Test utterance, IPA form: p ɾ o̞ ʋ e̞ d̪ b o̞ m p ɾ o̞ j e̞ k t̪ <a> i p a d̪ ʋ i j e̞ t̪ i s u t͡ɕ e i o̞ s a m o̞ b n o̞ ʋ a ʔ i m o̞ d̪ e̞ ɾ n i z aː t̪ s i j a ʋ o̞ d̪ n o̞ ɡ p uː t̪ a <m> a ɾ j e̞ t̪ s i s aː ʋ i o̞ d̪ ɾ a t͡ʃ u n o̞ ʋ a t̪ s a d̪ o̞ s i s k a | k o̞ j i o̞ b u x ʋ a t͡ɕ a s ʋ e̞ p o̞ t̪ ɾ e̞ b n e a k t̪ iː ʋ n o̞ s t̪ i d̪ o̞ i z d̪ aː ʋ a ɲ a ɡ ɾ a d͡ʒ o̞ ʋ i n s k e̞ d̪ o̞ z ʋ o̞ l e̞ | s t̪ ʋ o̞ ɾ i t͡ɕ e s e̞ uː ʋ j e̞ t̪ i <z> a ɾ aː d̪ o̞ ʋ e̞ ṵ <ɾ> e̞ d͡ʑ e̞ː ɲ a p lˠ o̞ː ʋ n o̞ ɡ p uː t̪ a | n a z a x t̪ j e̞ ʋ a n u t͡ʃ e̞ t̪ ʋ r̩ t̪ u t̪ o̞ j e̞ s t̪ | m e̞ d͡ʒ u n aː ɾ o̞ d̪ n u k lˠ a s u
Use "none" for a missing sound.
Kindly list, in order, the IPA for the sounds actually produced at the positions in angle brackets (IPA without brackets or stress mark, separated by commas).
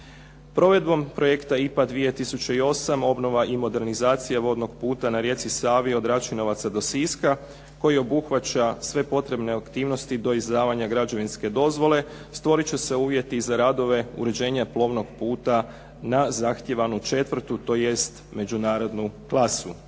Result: a, n, z, ɾ